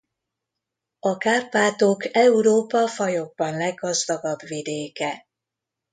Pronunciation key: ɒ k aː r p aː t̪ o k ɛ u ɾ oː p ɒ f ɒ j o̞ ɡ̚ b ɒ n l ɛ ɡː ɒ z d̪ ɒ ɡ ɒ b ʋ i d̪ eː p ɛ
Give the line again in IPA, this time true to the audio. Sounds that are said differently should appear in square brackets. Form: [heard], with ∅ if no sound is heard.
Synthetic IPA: ɒ k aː r p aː t̪ o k ɛ u ɾ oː p ɒ f ɒ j o̞ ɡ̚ b ɒ n l ɛ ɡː ɒ z d̪ ɒ ɡ ɒ b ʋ i d̪ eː [k] ɛ